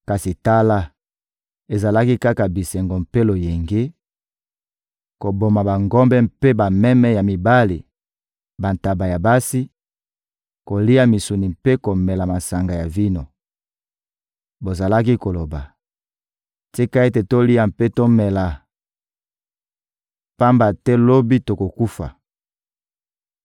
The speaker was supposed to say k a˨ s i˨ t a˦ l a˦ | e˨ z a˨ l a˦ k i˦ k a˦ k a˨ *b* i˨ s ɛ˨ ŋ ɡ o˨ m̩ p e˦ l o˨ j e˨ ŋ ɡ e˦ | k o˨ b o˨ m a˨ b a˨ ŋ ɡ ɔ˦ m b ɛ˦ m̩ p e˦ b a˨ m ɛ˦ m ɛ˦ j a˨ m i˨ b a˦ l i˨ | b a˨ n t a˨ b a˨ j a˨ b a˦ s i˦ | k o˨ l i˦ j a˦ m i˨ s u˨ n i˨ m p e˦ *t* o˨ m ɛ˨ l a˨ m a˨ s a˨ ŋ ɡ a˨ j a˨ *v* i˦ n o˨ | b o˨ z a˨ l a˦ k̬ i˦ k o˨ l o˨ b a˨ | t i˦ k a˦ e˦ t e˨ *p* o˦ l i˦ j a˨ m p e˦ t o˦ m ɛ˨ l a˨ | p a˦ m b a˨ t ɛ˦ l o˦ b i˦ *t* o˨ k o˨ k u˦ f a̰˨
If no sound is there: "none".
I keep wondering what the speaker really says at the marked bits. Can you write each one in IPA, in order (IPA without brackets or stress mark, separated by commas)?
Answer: b, k, v, t, t